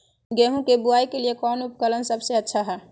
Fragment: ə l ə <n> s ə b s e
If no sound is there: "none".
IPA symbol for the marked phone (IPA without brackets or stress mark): n